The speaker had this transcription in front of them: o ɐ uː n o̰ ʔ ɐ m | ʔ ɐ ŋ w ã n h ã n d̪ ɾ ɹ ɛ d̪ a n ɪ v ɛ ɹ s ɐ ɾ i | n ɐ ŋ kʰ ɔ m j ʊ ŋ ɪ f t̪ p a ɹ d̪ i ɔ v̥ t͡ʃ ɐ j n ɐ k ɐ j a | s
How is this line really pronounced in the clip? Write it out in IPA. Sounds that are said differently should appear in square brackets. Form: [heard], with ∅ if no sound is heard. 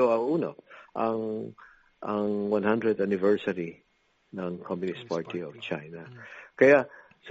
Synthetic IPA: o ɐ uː n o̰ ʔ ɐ [ŋ] | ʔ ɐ ŋ w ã n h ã n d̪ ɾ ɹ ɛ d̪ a n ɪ v ɛ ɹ s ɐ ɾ i | n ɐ ŋ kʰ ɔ m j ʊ [n] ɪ [s] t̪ p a ɹ [t̪] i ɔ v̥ t͡ʃ [a] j n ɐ k ɐ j a | s